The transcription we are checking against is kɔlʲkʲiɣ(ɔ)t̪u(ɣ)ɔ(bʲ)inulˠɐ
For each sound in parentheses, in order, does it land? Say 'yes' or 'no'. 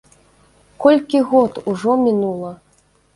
yes, no, no

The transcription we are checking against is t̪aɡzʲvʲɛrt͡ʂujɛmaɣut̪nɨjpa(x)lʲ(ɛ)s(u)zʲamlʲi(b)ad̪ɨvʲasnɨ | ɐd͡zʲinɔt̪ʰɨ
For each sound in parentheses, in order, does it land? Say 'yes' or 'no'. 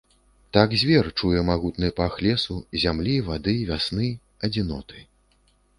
yes, yes, yes, no

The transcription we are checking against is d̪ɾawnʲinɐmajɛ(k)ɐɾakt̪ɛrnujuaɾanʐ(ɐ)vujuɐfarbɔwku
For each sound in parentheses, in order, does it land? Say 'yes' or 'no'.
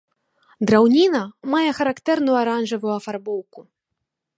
no, yes

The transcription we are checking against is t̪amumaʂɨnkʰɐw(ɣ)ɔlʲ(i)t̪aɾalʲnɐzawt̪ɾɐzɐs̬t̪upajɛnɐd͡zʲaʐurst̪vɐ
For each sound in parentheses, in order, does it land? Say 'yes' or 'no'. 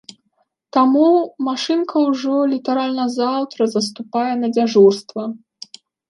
no, yes

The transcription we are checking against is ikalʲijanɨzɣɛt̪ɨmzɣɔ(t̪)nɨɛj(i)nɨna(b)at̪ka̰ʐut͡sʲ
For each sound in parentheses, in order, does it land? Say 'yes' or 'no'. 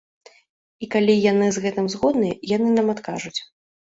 no, no, no

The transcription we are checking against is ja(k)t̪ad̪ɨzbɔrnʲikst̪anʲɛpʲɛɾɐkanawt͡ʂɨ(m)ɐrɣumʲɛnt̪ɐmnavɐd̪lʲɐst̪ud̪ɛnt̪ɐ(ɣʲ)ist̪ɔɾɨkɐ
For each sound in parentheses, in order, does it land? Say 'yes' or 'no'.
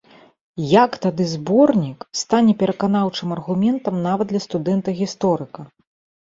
yes, yes, yes

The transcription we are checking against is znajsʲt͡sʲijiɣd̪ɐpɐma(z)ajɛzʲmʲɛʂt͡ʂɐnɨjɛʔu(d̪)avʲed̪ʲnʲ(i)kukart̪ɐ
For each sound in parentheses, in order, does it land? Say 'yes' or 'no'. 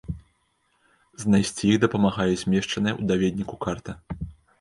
no, yes, yes

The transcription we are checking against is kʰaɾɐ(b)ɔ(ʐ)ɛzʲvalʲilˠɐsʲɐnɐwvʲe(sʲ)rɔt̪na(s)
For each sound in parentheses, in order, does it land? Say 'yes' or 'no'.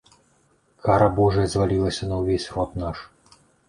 yes, yes, yes, no

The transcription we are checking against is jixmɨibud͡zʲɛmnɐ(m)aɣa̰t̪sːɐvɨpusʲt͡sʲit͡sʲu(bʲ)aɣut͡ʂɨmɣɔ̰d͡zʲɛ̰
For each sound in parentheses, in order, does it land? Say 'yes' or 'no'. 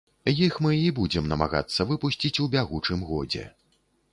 yes, yes

